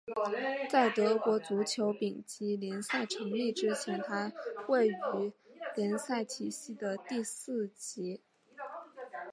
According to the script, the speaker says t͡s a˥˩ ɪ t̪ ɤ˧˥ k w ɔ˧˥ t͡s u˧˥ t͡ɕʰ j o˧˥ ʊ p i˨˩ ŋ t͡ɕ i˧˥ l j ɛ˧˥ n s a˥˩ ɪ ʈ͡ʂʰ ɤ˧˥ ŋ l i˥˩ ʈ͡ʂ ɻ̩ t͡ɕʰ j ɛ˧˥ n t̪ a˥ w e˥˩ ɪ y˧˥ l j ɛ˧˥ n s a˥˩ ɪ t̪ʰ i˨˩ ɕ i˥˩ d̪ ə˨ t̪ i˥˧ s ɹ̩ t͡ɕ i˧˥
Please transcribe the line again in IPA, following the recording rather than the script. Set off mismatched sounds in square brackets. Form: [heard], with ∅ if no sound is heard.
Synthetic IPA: t͡s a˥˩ ɪ t̪ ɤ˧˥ k w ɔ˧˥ t͡s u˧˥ t͡ɕʰ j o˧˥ ʊ p i˨˩ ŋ t͡ɕ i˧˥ l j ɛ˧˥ n s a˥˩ ɪ ʈ͡ʂʰ ɤ˧˥ ŋ l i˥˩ ʈ͡ʂ ɻ̩ t͡ɕʰ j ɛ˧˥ n [t̪ʰ] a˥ w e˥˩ ɪ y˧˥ l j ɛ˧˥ n s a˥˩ ɪ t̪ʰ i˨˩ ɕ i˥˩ d̪ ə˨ t̪ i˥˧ s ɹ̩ t͡ɕ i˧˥